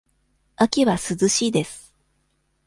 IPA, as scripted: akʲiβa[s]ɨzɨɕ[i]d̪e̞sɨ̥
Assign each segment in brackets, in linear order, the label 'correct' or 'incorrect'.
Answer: correct, incorrect: iː

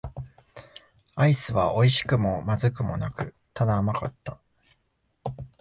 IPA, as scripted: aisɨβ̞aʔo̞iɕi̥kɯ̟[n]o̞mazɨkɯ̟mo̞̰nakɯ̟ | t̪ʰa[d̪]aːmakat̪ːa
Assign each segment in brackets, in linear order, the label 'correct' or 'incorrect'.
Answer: incorrect: m, correct

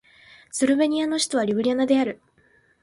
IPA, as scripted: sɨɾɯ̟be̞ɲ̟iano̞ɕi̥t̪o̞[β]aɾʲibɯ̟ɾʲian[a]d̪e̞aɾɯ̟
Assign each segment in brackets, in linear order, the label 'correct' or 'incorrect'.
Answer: correct, correct

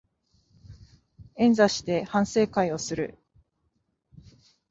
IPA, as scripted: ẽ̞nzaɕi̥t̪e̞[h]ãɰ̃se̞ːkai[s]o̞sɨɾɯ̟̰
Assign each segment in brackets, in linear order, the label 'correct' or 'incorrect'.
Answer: correct, incorrect: none

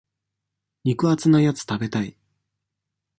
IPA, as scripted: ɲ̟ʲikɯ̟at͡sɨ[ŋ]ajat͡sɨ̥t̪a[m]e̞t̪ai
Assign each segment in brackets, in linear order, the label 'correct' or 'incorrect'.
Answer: incorrect: n, incorrect: b

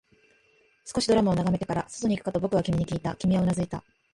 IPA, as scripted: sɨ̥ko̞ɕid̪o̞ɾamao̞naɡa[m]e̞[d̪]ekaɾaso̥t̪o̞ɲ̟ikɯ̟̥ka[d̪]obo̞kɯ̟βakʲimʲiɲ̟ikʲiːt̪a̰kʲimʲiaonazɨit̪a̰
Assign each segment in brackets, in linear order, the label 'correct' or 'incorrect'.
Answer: correct, incorrect: t̪, incorrect: t̪

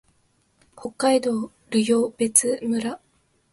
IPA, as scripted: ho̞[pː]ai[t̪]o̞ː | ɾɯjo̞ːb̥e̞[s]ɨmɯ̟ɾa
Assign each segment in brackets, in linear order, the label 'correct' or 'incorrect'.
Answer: incorrect: kː, incorrect: d̪, incorrect: t͡s

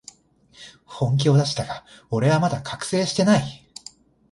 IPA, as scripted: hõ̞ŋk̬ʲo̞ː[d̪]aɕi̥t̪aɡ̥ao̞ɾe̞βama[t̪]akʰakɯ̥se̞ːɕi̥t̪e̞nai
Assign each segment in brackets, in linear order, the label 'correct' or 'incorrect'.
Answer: correct, incorrect: d̪

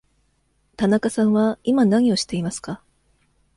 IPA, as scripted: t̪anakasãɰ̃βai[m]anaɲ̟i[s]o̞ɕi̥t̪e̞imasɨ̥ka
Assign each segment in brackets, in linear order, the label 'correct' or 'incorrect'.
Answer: correct, incorrect: none

